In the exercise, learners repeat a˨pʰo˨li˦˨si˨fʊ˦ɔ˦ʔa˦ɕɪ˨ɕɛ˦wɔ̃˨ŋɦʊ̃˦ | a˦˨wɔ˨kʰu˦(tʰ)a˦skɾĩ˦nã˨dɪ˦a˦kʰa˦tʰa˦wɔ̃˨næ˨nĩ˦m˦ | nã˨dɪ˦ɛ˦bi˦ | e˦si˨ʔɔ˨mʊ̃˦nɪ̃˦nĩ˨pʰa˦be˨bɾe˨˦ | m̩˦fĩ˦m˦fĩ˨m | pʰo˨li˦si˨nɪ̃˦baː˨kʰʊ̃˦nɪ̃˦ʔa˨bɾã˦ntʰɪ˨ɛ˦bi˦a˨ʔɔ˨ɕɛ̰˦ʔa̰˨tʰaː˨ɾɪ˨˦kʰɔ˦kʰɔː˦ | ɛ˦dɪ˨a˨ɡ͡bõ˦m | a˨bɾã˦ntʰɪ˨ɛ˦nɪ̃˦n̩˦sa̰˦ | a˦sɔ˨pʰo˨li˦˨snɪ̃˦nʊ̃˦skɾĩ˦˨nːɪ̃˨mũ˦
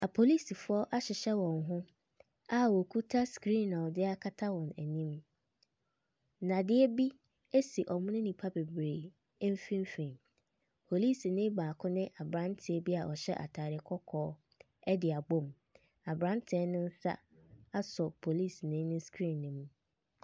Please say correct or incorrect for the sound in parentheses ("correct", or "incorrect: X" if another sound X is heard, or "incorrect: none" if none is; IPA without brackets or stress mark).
correct